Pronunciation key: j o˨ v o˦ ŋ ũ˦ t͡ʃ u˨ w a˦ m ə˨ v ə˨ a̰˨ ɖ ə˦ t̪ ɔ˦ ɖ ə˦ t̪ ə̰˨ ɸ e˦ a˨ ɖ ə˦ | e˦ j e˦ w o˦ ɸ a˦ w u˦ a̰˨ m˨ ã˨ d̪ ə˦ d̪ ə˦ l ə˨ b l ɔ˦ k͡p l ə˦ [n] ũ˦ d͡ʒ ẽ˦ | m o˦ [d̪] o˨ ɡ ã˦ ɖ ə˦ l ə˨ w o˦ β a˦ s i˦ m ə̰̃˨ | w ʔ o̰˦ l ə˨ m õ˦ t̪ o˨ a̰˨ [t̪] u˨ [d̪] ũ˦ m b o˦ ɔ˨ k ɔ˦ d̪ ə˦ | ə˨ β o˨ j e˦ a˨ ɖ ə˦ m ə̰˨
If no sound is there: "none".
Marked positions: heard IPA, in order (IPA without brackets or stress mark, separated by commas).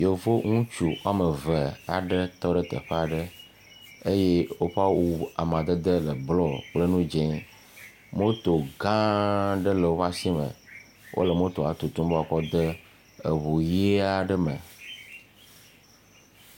n, t̪, t̪, t̪